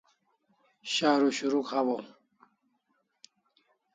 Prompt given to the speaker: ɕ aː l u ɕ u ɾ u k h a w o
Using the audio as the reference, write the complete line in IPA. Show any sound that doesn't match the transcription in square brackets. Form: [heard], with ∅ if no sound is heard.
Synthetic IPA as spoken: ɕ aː [ɾ] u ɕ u ɾ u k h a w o